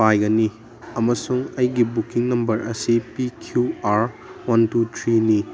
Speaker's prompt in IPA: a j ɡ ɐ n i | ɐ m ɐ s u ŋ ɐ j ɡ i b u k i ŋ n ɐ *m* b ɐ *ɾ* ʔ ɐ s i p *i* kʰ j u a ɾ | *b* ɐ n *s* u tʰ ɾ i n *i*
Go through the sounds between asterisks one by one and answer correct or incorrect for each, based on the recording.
correct, correct, correct, incorrect: w, incorrect: t, correct

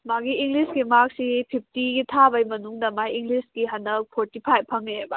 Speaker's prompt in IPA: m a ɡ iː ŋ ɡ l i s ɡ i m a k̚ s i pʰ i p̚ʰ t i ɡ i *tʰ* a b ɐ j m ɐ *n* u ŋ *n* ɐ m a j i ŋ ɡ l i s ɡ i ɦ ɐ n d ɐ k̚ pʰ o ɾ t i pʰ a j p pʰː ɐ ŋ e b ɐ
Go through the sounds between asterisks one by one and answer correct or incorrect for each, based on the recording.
correct, correct, incorrect: d

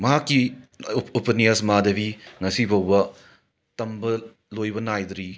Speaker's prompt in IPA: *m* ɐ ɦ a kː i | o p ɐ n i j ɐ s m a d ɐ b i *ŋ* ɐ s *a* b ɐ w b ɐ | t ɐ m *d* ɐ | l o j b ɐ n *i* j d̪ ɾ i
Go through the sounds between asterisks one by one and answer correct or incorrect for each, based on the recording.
correct, correct, incorrect: i, incorrect: b, incorrect: a

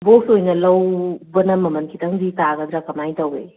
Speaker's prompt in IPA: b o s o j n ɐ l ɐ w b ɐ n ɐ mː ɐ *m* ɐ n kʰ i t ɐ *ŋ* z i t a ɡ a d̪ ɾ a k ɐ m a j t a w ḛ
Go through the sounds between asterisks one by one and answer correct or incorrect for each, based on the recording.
correct, correct

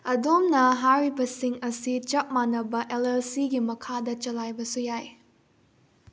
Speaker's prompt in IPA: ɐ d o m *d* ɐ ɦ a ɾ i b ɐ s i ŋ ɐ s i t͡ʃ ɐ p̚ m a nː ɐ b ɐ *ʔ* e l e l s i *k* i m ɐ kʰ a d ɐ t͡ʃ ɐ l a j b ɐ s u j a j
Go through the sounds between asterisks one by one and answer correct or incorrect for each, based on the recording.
incorrect: n, correct, incorrect: ɡ

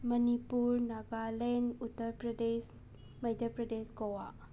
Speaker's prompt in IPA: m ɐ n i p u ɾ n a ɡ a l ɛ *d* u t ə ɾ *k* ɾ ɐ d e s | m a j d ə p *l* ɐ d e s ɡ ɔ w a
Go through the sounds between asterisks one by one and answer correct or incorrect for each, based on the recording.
incorrect: n, incorrect: p, incorrect: ɾ

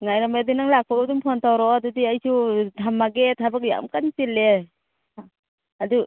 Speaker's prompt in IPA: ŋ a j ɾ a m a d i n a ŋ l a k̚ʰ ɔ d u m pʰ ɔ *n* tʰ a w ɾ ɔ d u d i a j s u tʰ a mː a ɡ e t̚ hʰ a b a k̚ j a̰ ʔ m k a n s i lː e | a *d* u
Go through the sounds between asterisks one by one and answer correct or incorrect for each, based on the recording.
correct, correct

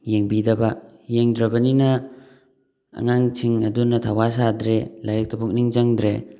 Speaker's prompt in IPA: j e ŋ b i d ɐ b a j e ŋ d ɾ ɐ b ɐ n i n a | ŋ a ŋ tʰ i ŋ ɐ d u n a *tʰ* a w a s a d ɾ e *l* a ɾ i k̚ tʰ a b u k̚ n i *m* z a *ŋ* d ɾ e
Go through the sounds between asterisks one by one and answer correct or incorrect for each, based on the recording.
correct, correct, incorrect: ŋ, correct

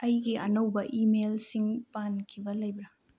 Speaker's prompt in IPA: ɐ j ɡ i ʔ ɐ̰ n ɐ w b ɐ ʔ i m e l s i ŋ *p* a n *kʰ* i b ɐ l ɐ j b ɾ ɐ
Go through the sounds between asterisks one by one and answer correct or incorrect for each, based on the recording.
correct, correct

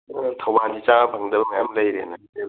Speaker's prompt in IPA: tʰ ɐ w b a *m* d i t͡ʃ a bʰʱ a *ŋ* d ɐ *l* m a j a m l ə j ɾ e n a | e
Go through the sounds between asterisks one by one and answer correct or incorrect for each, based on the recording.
incorrect: n, correct, correct

